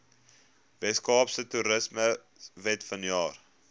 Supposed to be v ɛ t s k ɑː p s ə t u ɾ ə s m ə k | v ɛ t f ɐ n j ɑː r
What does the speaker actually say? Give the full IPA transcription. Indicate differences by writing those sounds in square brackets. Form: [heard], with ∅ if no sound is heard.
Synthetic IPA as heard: v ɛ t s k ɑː p s ə t u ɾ ə s m ə [∅] | v ɛ t f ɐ n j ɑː r